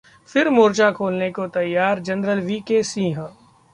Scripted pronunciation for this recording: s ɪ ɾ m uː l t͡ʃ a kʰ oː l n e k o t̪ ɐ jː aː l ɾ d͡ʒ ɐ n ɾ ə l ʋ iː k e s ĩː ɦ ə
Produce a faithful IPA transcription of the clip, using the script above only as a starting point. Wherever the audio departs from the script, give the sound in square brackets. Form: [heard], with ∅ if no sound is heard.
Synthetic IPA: [f] ɪ ɾ m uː [ɾ] t͡ʃ a kʰ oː l n e k o t̪ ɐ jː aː [∅] ɾ d͡ʒ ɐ n ɾ ə l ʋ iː k e s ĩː ɦ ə